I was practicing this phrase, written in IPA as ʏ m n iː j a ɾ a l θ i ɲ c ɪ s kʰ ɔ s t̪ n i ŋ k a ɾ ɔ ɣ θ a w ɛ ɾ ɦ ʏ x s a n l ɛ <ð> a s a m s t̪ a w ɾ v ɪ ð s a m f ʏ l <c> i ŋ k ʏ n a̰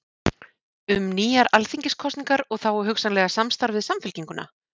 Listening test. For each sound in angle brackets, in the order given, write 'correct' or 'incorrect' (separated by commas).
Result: incorrect, correct